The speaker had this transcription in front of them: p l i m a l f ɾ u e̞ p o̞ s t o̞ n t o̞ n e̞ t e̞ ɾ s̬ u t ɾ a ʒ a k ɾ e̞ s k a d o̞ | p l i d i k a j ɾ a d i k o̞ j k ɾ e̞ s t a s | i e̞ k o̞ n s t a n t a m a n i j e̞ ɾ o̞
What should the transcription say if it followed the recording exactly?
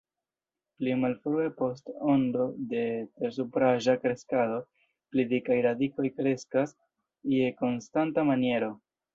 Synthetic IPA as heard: p l i m a l f ɾ u e̞ p o̞ s t o̞ n d o̞ d e̞ t e̞ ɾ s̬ u p ɾ a ʒ a k ɾ e̞ s k a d o̞ | p l i d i k a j ɾ a d i k o̞ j k ɾ e̞ s k a s | i e̞ k o̞ n s t a n t a m a n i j e̞ ɾ o̞